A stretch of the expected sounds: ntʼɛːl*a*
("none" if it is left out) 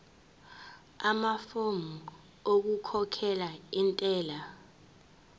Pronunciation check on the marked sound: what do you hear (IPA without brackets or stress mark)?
a